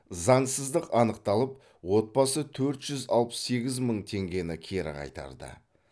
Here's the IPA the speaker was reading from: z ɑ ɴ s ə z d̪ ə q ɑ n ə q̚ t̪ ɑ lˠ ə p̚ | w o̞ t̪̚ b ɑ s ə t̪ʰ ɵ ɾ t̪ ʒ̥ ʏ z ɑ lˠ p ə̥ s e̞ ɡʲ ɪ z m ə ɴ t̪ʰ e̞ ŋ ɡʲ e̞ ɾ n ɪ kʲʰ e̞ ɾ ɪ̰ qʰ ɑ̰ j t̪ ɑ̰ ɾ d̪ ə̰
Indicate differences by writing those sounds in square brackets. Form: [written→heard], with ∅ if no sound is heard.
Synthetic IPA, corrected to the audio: z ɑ ɴ s ə z d̪ ə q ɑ n ə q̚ t̪ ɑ lˠ ə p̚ | w o̞ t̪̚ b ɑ s ə t̪ʰ ɵ ɾ t̪ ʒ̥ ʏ z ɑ lˠ p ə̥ s e̞ ɡʲ ɪ z m ə ɴ t̪ʰ e̞ ŋ ɡʲ e̞ [ɾ→∅] n ɪ kʲʰ e̞ ɾ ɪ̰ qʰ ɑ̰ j t̪ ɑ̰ ɾ d̪ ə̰